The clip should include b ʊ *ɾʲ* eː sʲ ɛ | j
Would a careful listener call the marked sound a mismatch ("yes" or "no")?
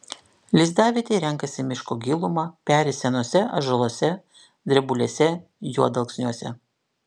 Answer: yes